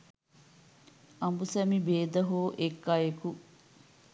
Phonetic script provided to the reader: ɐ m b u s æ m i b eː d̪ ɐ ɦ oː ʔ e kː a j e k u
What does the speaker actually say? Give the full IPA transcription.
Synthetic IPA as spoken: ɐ m b u s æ m i b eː d̪ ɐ ɦ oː ʔ e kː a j e k u